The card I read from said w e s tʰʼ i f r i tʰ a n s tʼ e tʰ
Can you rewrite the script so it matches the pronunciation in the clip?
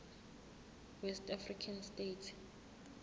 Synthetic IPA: w ɛ s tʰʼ a f r i kʰ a n s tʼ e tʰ

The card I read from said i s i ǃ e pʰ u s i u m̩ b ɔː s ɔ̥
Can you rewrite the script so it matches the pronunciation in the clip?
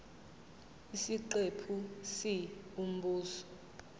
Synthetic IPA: i s i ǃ e pʰ u s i u m̩ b uː s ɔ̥

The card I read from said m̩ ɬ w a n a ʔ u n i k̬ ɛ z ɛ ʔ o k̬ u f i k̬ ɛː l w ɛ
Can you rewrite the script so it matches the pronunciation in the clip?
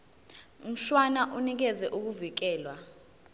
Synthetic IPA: m̩ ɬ w a n a ʔ u n i k̬ ɛ z ɛ ʔ u k̬ u v i k̬ ɛː l w a

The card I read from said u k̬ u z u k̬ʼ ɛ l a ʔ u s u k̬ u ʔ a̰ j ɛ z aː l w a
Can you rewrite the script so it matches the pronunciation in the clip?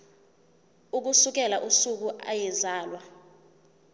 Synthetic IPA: u k̬ u s u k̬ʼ ɛ l a ʔ u s u k̬ u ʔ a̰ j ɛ z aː l w a

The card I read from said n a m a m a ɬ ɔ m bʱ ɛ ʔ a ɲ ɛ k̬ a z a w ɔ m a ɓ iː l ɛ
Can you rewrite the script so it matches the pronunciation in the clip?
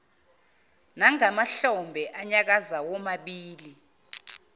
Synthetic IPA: n a ŋ a m a ɬ ɔ m bʱ ɛ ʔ a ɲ a k̬ a z a w ɔ m a ɓ iː l i

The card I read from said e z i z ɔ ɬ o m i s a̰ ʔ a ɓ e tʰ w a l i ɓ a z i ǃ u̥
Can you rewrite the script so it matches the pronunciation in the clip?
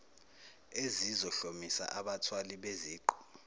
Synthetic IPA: e z i z ɔ ɬ o m i s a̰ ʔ a ɓ a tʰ w a l i ɓ e z iː ǃ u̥

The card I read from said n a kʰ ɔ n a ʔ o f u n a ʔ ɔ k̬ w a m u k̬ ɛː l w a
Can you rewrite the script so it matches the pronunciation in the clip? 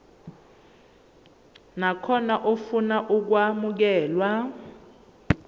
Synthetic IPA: n a kʰ ɔ n a ʔ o f u n a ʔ u k̬ w a m u k̬ ɛː l w a

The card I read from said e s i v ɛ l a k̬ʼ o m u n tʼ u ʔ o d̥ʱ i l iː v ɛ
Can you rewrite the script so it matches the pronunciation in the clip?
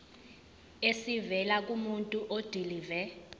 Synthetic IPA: e s i v ɛ l a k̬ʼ u m u n tʼ u ʔ o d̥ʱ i l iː v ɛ

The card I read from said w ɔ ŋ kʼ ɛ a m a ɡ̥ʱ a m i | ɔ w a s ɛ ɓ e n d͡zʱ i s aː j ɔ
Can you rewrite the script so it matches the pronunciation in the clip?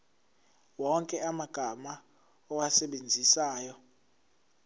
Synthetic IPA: w ɔ ŋ kʼ ɛ a m a ɡ̥ʱ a m a | ɔ w a s ɛ ɓ e n d͡zʱ i s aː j ɔ

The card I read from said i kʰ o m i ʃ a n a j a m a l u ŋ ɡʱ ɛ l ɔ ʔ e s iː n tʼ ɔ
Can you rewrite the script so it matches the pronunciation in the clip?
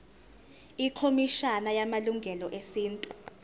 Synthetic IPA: i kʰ o m i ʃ a n a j a m a l u ŋ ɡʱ ɛ l ɔ ʔ e s iː n tʼ u

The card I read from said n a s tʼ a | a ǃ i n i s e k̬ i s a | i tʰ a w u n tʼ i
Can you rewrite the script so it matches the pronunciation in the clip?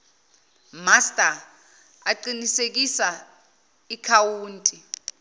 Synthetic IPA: m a s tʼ a | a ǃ i n i s e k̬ i s a | i kʰ a w uː n tʼ i

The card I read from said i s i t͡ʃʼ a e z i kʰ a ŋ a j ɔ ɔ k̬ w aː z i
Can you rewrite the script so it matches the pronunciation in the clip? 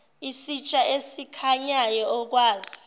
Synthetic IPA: i s i t͡ʃʼ a e s i kʰ a ɲ a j ɔ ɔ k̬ w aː z i

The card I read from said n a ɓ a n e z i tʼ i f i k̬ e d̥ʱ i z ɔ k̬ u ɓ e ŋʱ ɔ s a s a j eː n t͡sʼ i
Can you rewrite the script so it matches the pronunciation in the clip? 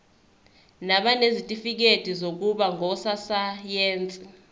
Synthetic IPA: n a ɓ a n e z i tʼ i f i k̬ e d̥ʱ i z o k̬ u ɓ a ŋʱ ɔ s a s a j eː n t͡sʼ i

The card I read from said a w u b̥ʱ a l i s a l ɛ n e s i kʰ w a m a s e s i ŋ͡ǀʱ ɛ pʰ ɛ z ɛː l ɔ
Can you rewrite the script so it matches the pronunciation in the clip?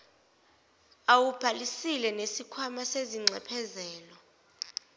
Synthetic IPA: a w u b̥ʱ a l i s i l ɛ n e s i kʰ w a m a s e z i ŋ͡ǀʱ ɛ pʰ ɛ z ɛː l ɔ

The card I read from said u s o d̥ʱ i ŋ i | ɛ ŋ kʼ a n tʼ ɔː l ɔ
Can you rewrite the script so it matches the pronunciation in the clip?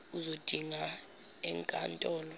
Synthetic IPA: u z o d̥ʱ i ŋ a | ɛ ŋ kʼ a n tʼ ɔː l ɔ

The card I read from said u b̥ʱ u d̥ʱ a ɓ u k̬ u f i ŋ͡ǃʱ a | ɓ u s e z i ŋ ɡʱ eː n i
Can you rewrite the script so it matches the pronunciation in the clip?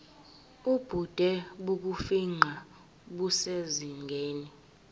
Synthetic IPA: u b̥ʱ u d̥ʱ ɛ ɓ u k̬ u f i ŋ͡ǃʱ a | ɓ u s e z i ŋ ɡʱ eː n i

